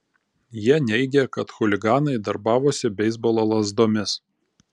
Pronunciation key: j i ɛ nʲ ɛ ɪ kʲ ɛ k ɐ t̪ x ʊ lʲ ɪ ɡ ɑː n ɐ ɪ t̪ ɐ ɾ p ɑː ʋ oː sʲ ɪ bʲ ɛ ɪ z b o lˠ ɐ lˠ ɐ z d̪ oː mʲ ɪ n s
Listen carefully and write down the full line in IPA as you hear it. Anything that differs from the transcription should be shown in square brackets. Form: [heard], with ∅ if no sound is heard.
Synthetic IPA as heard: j i ɛ nʲ ɛ ɪ [ɡʲ] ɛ k ɐ t̪ x ʊ lʲ ɪ ɡ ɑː n ɐ ɪ [d̪] ɐ ɾ [b] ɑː ʋ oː sʲ ɪ bʲ ɛ ɪ z b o lˠ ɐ lˠ ɐ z d̪ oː mʲ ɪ [∅] s